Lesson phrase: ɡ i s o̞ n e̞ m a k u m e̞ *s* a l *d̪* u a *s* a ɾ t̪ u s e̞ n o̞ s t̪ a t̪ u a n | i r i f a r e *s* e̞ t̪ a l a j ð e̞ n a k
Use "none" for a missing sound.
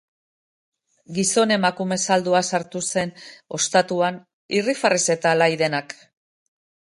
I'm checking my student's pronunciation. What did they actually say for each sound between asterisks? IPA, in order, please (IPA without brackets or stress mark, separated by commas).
s, d̪, s, s